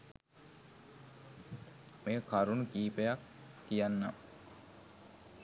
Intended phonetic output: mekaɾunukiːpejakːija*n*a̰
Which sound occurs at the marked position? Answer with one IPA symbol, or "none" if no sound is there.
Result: nː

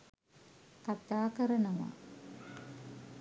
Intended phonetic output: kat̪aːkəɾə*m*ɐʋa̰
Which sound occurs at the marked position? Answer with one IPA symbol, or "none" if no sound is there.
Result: n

